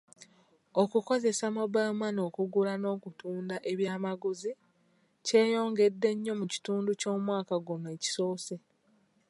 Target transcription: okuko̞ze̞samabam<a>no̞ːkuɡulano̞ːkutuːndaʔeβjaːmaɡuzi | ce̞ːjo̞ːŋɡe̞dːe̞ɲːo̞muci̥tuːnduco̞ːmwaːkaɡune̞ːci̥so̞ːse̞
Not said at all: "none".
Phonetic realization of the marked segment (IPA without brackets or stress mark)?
a